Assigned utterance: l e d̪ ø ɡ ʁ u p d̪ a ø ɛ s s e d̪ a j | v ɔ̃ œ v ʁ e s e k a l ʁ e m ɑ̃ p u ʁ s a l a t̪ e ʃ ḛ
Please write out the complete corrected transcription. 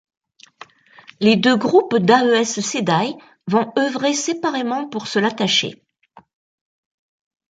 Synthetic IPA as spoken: l e d̪ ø ɡ ʁ u p d̪ a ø ɛ s s e d̪ a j | v ɔ̃ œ v ʁ e s e p a ʁ e m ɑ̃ p u ʁ s ə l a t̪ a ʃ ḛ